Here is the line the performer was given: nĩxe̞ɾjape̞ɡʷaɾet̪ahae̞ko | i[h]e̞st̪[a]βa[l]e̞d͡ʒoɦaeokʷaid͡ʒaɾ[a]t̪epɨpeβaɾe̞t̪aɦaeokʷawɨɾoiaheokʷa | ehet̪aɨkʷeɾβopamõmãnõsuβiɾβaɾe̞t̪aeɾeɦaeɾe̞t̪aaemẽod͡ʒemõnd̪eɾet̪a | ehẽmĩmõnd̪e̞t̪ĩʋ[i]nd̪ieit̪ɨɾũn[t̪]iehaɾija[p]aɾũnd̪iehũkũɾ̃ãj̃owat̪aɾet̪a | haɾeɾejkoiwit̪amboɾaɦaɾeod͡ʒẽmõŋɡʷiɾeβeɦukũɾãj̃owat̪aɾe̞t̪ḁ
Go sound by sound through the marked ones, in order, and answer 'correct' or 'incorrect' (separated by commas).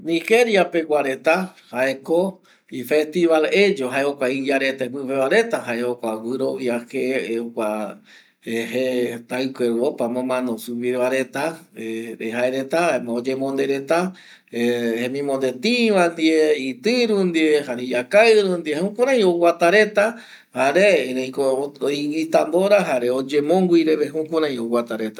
incorrect, incorrect, correct, incorrect, incorrect, incorrect, incorrect